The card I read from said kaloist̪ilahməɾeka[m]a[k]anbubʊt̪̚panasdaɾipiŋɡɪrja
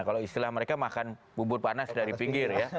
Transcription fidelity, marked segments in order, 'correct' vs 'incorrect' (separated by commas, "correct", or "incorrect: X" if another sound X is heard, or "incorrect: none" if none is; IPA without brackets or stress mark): correct, correct